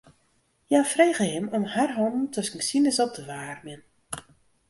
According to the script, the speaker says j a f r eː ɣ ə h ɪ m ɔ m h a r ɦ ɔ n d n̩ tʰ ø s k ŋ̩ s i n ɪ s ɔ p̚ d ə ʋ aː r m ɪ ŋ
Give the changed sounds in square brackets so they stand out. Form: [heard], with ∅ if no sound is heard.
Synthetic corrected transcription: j a f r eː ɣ ə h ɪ m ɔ m h a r ɦ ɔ n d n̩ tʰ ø s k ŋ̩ s i n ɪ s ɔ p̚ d ə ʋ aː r m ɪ [n]